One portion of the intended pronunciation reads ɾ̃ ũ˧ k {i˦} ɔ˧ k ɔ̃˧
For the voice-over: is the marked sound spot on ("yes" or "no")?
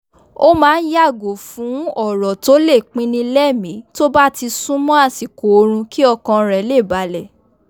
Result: yes